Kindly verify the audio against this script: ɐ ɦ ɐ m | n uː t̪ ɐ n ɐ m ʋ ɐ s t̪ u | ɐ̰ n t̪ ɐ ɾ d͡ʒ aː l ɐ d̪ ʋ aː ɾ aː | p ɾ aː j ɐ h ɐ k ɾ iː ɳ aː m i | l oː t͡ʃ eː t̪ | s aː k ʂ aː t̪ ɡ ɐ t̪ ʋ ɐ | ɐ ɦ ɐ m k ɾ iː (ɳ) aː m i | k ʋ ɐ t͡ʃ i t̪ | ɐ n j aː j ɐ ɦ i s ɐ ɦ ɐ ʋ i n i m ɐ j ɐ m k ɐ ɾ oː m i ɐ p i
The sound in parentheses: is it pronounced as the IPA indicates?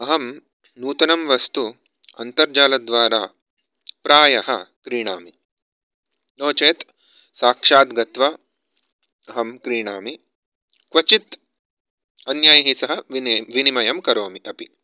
yes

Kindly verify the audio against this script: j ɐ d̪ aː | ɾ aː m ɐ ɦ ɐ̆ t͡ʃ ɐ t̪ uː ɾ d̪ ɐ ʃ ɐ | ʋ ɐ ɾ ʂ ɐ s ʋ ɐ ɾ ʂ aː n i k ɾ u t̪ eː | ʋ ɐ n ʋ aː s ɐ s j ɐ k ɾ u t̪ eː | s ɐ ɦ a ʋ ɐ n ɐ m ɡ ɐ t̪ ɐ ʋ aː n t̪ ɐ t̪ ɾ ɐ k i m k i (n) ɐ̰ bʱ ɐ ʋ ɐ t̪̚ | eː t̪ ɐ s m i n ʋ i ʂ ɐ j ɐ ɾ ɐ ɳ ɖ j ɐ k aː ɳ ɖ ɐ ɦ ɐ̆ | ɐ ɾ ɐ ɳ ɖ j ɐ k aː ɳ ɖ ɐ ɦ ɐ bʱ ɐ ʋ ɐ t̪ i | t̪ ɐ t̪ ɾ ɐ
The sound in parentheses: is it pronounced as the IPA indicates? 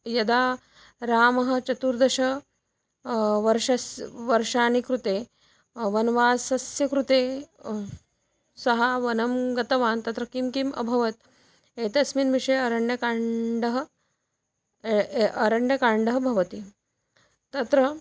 no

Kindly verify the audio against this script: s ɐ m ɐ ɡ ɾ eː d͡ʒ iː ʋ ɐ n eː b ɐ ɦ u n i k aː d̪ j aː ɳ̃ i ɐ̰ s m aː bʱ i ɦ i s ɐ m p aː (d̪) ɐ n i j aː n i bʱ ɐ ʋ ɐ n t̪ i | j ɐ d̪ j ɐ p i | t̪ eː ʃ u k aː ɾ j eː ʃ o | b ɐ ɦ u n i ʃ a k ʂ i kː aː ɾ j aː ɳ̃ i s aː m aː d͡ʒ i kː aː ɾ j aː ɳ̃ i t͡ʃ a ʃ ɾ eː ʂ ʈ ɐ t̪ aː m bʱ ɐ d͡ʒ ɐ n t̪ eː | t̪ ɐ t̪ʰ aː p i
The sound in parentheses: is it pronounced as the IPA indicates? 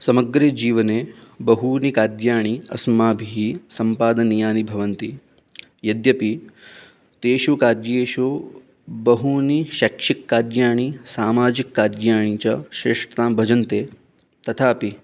yes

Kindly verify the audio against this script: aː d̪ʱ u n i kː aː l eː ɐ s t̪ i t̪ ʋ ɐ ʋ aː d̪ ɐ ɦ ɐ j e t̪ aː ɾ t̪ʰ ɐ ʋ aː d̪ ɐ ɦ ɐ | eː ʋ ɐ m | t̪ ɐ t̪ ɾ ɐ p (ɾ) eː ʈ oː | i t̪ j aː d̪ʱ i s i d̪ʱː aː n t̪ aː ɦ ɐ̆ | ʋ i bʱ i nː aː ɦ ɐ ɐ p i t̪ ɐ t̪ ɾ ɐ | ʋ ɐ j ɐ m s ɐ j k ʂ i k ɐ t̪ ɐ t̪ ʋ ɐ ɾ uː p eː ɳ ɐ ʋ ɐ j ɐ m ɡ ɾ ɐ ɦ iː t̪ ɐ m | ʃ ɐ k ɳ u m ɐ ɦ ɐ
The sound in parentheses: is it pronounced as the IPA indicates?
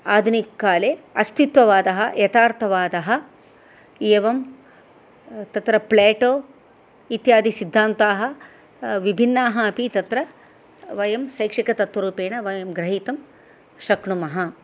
no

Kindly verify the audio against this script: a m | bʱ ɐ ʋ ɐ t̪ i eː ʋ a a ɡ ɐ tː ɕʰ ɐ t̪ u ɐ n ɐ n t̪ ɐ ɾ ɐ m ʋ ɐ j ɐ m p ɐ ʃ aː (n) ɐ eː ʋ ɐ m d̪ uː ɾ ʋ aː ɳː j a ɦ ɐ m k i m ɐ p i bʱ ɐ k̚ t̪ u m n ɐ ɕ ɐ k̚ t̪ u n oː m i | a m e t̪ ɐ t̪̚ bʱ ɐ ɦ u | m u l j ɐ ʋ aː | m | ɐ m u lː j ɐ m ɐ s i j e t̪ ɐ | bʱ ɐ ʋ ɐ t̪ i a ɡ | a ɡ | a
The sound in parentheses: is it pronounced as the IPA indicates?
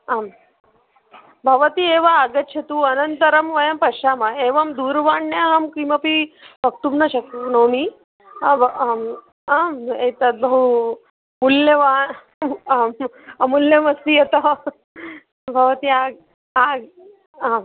no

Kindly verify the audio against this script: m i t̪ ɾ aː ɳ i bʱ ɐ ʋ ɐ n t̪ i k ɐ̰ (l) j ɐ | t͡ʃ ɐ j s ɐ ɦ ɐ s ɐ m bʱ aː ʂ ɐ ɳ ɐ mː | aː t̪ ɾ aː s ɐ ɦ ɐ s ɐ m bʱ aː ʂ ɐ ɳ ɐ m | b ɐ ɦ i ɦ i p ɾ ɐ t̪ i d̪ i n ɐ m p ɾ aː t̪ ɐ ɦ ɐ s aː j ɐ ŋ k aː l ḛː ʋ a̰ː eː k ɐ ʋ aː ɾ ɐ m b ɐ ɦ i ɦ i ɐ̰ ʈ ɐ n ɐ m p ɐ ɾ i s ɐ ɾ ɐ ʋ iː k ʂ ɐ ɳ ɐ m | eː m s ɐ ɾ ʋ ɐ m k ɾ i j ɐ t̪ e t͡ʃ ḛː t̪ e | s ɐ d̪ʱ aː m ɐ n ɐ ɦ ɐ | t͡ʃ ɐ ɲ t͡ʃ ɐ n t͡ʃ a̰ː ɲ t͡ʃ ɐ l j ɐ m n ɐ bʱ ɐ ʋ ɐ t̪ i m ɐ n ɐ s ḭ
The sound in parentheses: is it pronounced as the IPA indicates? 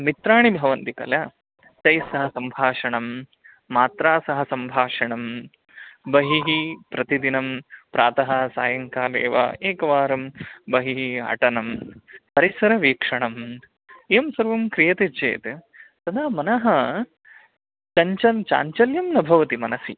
yes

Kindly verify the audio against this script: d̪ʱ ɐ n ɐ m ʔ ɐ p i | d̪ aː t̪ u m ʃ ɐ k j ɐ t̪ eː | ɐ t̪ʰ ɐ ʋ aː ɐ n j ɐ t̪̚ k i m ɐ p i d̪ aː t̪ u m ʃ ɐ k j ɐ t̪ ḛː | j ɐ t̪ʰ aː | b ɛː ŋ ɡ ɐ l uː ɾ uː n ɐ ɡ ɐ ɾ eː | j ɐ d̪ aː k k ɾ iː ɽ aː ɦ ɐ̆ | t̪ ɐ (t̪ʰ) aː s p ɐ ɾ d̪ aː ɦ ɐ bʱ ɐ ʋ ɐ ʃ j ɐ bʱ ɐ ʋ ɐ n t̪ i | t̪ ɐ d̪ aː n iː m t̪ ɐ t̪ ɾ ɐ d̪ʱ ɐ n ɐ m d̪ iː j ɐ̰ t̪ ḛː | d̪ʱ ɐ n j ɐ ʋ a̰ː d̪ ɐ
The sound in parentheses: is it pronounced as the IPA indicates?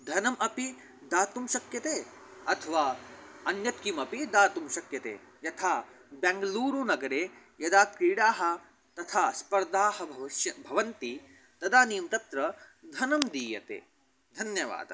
yes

